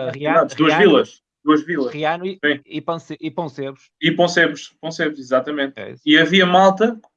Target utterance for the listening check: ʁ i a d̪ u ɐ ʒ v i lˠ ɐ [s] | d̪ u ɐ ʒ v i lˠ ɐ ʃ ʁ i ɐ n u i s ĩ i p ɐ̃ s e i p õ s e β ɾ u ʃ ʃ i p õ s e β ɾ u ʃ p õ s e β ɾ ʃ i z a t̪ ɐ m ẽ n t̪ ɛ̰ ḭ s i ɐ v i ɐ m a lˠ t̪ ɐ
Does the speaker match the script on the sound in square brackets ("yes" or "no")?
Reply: no